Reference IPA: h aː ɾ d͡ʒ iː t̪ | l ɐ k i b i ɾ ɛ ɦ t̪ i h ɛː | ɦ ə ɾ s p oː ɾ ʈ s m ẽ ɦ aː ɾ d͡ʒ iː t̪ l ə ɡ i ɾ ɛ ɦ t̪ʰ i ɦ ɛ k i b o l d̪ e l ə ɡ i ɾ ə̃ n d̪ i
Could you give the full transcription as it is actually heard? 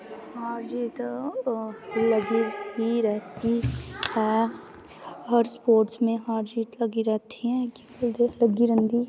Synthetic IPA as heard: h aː ɾ d͡ʒ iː t̪ | l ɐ ɡ i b i ɾ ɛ ɦ t̪ i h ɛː | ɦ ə ɾ s p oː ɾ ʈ s m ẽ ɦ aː ɾ d͡ʒ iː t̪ l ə ɡ i ɾ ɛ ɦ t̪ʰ i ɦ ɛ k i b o l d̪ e l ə ɡ i ɾ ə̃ n d̪ i